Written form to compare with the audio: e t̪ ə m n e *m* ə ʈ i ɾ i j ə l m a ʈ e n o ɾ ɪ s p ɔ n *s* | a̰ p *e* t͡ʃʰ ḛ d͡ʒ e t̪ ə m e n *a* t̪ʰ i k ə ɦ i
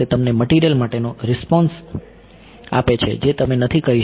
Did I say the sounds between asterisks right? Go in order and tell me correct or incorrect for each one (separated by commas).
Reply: correct, correct, correct, incorrect